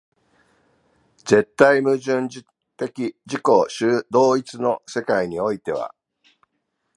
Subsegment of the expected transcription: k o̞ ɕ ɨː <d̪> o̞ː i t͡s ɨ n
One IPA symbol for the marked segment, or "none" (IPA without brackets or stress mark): d̪